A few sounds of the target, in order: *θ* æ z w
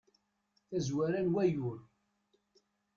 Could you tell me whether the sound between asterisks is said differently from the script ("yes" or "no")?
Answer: no